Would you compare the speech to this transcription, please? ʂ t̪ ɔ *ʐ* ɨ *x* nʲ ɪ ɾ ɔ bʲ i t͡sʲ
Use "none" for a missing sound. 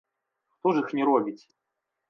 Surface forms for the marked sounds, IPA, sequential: ʐ, x

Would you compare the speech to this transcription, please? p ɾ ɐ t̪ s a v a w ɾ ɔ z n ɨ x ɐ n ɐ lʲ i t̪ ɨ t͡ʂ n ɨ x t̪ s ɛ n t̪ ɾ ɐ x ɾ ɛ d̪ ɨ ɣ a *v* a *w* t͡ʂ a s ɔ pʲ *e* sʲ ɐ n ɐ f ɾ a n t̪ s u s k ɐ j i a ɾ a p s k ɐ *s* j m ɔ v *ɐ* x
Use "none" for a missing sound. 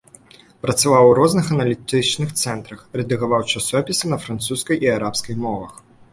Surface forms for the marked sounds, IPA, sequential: v, w, i, none, ɐ

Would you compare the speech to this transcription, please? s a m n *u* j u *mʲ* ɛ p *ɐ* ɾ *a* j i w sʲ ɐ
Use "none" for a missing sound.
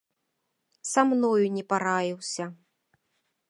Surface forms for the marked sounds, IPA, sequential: ɔ, nʲ, a, a

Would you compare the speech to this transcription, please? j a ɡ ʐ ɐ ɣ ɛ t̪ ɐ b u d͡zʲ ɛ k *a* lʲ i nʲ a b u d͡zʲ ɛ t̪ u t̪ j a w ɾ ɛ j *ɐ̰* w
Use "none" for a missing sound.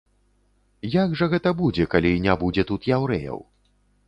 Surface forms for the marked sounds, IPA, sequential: a, ɐ̰

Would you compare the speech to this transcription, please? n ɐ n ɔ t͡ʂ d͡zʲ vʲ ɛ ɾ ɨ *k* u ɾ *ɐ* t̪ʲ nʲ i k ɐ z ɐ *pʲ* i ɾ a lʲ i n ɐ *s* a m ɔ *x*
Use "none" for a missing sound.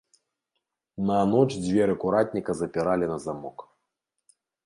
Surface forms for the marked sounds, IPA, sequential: k, a, pʲ, z, k

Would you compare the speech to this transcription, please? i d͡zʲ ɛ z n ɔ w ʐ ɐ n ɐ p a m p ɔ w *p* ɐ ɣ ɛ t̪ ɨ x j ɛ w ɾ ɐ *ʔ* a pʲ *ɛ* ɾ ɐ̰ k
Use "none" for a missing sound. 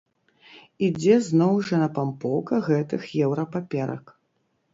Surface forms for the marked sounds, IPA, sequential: k, p, ɛ

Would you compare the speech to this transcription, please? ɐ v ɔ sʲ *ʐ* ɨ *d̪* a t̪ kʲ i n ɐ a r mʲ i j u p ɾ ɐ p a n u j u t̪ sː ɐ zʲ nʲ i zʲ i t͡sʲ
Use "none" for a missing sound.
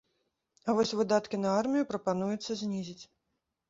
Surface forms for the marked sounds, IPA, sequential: v, d̪

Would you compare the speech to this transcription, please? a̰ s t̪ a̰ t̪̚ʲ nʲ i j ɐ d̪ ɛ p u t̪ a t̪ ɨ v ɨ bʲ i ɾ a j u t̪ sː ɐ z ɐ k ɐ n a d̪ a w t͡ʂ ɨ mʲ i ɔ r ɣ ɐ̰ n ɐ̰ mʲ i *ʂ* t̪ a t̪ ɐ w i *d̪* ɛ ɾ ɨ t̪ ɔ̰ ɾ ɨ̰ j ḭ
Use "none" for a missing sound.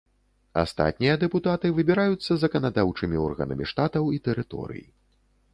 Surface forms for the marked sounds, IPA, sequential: ʂ, t̪

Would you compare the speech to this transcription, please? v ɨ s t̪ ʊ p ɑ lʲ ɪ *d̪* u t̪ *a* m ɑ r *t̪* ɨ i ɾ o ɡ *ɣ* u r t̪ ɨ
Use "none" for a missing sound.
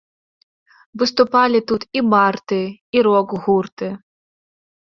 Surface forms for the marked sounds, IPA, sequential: t̪, i, t̪, ɣ

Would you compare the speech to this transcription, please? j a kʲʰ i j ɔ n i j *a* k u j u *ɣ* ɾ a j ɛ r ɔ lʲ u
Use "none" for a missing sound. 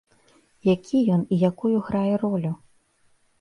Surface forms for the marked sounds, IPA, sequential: a, ɣ

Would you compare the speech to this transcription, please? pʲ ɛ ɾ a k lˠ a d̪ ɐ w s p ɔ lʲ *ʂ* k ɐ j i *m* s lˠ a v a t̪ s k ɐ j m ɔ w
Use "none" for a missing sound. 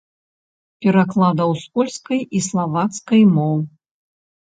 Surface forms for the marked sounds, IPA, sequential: s, none

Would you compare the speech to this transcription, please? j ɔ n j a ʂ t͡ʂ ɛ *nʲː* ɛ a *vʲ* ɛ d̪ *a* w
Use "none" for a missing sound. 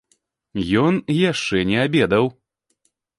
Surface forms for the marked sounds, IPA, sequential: nʲ, bʲ, ɐ

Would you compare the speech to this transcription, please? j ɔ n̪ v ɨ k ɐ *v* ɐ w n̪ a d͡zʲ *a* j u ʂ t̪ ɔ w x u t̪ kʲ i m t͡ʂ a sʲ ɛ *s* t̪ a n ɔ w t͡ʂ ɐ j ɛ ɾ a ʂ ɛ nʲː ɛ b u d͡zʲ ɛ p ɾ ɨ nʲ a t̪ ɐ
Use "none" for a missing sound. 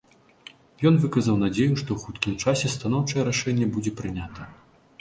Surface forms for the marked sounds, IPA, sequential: z, e, s

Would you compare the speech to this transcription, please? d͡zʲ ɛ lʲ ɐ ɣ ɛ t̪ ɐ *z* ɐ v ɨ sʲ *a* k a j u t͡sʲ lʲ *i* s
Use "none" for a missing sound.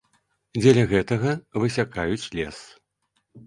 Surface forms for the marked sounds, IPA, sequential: ɣ, a, ɛ

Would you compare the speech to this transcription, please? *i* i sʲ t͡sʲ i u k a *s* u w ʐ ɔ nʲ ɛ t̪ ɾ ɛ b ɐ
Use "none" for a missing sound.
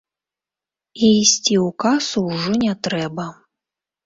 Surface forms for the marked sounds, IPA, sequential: i, s

